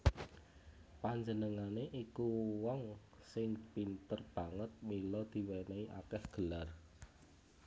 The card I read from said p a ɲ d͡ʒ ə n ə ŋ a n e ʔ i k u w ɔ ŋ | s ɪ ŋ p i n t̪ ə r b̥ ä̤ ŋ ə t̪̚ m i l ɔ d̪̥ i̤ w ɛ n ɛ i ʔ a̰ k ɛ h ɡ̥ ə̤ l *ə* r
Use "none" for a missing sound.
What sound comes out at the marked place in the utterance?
a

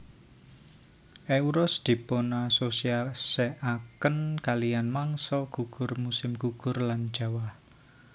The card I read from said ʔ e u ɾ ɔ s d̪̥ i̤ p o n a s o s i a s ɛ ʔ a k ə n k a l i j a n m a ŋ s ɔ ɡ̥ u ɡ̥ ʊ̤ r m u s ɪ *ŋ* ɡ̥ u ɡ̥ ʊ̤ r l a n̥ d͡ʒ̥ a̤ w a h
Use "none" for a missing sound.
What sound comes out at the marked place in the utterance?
m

